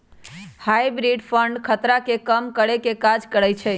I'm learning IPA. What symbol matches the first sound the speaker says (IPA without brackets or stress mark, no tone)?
h